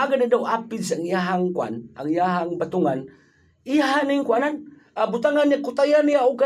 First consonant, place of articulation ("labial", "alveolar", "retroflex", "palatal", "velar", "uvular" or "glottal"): velar